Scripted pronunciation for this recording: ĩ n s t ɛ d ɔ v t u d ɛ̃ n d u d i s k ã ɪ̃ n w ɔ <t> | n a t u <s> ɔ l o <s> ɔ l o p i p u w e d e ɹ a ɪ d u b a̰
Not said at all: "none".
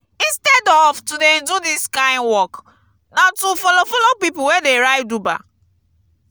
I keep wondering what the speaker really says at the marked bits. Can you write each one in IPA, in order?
k, f, f

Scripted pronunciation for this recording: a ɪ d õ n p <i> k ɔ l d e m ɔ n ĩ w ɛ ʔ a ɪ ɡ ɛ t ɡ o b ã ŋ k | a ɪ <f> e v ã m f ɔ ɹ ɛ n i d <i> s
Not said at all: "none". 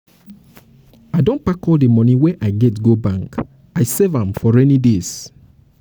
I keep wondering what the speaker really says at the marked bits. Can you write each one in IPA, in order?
a, s, e

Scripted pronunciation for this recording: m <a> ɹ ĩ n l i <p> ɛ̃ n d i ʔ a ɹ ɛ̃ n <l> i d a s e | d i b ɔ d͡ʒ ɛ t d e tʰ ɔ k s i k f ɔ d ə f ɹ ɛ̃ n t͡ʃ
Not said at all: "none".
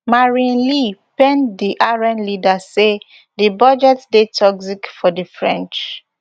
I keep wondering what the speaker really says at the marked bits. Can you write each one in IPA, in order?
a, p, l

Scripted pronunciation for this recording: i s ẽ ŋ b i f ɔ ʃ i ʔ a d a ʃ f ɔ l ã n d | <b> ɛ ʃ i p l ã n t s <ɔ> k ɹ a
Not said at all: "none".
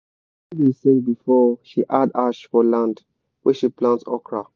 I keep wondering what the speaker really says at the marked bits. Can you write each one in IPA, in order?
w, ɔ

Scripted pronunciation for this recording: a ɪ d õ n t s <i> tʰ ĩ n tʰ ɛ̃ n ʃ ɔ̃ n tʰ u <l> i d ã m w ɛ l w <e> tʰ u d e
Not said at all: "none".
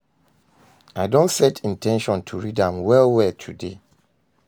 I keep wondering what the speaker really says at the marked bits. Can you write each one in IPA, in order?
ɛ, ɹ, ɛ

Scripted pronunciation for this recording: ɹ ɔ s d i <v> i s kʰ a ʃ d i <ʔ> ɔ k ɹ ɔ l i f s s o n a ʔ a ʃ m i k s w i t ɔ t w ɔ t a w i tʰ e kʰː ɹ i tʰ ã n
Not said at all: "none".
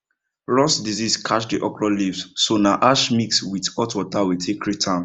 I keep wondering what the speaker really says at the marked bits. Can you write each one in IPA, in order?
z, ʔ

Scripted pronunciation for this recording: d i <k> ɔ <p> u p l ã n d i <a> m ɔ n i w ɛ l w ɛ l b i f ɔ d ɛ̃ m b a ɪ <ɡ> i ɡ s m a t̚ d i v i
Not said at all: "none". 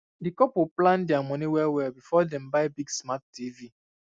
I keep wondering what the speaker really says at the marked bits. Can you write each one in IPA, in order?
k, p, a, b

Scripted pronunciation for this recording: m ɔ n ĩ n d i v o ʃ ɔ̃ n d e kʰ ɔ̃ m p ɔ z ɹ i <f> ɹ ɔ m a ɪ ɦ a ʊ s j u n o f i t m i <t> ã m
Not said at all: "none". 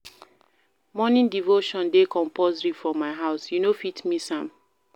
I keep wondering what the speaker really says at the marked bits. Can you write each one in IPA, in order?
f, s

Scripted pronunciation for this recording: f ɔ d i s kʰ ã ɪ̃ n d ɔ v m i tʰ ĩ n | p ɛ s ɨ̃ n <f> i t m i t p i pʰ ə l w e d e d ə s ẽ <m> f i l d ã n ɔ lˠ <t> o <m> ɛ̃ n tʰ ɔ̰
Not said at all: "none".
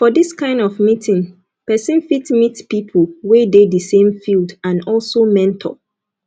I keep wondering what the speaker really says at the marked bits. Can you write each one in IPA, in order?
f, m, s, m

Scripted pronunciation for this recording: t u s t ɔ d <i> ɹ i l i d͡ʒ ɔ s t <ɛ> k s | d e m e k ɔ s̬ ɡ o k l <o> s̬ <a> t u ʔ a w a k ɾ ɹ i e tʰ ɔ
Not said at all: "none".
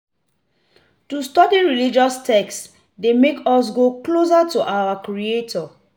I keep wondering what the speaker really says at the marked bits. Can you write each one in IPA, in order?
i, ɛ, o, a

